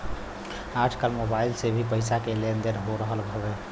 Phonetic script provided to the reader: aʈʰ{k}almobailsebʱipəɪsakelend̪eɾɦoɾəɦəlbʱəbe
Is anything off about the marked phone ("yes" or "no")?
no